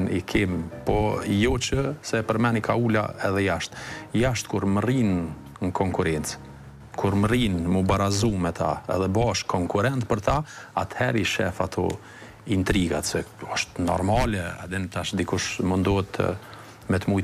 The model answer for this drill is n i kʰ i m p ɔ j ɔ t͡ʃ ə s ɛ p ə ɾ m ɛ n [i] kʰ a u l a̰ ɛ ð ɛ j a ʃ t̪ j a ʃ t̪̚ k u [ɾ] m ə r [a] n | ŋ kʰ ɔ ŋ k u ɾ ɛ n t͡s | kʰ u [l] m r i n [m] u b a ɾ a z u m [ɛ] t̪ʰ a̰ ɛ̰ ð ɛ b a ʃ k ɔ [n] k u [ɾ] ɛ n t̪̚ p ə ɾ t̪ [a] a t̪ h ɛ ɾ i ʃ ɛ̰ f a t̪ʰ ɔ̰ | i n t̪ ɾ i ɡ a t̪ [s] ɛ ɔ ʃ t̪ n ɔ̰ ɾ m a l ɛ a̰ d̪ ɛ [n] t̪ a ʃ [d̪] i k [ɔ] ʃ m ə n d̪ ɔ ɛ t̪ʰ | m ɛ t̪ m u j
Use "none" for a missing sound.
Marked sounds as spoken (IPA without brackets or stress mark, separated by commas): i, ɾ, i, ɾ, m, ɛ, ŋ, ɾ, a, s, n, d̪, u